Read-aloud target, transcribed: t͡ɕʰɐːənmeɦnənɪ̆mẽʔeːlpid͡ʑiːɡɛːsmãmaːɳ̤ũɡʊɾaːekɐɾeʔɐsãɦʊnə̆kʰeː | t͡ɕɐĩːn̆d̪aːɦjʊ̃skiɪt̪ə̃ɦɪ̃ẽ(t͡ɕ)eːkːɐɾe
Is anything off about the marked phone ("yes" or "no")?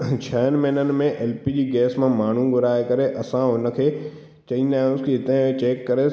no